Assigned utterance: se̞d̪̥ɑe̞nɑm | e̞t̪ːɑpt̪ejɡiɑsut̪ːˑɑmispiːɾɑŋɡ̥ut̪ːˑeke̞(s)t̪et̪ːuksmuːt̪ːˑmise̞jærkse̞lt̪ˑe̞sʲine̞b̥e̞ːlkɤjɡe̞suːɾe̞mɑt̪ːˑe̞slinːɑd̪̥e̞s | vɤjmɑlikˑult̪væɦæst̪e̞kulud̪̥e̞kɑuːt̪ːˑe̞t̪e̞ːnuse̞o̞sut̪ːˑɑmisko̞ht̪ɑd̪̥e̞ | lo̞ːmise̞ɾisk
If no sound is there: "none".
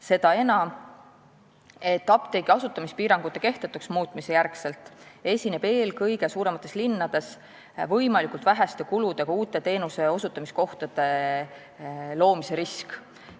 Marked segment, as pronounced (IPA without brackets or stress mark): h